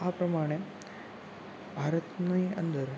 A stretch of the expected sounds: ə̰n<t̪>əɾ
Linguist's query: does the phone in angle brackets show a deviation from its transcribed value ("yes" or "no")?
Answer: yes